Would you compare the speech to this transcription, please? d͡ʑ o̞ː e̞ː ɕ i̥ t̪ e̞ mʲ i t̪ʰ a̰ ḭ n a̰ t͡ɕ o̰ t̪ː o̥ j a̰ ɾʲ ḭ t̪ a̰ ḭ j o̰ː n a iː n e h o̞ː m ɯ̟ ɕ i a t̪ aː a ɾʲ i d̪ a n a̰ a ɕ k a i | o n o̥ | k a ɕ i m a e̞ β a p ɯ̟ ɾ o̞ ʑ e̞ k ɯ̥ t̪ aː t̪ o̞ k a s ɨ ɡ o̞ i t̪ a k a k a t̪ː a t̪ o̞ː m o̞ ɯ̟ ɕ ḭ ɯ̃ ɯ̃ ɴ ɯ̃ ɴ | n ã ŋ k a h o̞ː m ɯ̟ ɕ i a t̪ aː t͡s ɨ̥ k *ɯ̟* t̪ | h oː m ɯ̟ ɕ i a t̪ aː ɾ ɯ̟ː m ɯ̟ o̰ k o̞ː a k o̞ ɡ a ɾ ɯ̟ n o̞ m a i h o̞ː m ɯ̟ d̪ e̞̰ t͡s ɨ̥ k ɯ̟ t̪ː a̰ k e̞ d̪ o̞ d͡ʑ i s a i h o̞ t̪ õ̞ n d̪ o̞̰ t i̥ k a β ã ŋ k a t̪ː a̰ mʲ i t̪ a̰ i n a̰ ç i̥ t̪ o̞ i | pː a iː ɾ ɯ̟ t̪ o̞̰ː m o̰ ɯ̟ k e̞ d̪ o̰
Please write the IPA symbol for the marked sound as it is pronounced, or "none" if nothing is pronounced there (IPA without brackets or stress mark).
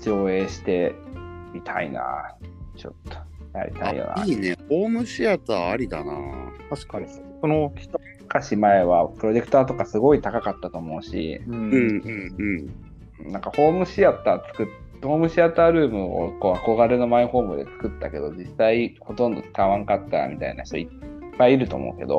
ɯ̟